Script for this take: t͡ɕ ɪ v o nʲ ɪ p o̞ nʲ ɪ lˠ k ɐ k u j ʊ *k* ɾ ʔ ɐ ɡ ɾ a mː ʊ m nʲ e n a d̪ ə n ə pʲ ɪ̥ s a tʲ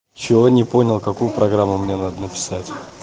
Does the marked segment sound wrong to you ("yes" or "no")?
yes